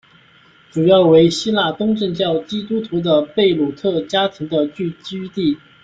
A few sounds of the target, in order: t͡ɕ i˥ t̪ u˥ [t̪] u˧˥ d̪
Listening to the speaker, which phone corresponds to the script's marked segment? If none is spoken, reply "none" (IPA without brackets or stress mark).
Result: t̪ʰ